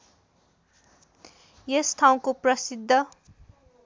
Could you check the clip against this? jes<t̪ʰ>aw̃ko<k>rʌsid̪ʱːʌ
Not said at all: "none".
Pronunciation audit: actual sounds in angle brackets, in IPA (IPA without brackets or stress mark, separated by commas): t̪ʰ, p